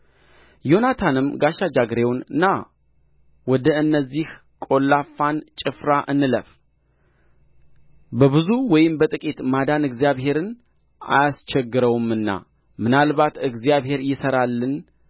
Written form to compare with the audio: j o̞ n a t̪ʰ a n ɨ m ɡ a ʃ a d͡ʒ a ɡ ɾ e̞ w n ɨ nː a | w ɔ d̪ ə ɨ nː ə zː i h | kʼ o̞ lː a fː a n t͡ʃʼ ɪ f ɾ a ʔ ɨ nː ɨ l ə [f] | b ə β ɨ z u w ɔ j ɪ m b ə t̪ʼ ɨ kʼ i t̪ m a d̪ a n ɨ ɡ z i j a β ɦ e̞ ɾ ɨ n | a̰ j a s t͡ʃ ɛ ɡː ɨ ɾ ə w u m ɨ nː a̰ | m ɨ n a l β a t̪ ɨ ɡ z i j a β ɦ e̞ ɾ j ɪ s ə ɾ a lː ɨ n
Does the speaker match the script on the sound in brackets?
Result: yes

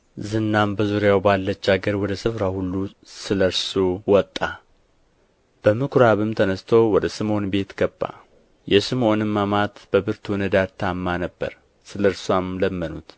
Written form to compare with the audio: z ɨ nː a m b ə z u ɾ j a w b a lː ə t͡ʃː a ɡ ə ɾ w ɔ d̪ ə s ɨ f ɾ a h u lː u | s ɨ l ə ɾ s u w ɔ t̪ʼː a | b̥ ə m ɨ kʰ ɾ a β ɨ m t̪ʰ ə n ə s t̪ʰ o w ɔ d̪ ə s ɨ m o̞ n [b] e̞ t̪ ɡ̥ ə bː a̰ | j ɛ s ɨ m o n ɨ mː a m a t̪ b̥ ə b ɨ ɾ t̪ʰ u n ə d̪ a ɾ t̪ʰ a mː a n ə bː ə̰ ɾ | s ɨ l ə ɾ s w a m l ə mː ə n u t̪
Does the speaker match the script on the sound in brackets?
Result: yes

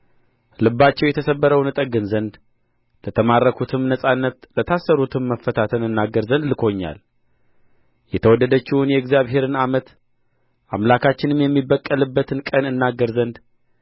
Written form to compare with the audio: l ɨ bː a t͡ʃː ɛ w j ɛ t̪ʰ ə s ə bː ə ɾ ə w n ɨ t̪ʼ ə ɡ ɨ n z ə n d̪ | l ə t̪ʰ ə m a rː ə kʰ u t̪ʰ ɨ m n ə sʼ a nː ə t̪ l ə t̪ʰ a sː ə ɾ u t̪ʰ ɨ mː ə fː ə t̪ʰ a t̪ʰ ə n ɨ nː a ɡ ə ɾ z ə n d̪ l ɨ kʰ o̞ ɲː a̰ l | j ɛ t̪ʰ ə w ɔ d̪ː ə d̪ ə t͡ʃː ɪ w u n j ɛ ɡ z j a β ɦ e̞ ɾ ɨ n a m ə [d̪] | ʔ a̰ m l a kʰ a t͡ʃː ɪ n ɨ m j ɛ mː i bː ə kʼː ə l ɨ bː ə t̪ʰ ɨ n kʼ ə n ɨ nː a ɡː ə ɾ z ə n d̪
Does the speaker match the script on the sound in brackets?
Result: no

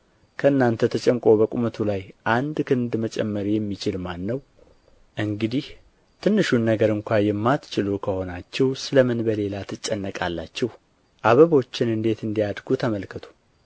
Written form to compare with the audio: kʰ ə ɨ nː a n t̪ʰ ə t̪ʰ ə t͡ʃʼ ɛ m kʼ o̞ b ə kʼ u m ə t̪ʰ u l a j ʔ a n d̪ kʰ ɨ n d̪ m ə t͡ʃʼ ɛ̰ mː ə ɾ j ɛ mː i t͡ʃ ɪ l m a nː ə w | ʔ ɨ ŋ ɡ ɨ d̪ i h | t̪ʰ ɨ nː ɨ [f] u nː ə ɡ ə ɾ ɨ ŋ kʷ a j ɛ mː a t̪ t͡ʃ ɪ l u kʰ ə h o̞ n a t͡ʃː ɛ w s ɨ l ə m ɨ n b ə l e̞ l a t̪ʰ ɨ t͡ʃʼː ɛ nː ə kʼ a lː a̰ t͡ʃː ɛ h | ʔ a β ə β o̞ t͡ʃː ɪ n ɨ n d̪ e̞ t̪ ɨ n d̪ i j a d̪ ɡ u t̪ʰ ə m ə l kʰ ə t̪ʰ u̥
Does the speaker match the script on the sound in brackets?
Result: no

